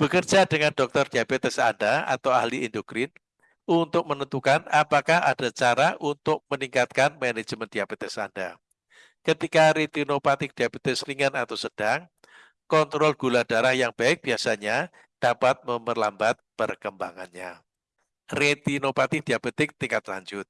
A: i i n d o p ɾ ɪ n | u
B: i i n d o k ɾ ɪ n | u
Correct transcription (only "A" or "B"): B